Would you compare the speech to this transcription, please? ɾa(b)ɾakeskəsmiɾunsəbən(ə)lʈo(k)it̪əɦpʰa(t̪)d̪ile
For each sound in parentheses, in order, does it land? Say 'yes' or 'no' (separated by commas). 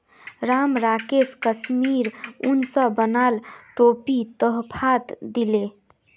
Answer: no, no, no, yes